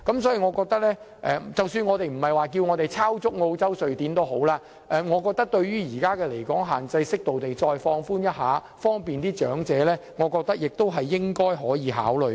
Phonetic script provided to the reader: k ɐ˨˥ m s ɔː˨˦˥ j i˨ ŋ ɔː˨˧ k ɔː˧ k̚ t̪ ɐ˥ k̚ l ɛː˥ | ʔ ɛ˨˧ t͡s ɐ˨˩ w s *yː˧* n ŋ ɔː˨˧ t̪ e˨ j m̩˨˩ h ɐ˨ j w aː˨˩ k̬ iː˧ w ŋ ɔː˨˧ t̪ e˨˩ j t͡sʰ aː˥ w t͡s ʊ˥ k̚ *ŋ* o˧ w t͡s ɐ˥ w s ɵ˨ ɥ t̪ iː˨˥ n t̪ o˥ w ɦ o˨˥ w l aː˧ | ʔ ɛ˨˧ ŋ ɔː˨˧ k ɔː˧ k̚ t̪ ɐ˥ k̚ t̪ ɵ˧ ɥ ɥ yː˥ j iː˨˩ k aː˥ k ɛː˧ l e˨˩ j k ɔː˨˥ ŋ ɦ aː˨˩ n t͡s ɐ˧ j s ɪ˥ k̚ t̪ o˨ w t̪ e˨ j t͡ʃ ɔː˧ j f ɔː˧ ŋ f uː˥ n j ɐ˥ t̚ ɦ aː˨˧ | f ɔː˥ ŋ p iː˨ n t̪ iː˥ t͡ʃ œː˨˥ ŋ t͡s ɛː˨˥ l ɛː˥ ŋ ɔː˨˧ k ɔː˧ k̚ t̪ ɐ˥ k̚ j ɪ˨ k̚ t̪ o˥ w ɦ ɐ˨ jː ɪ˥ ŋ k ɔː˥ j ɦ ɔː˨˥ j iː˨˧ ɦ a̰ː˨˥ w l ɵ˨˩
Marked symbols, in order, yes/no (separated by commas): yes, yes